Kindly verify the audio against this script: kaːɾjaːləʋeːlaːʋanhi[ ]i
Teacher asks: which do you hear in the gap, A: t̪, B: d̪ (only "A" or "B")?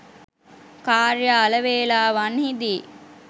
B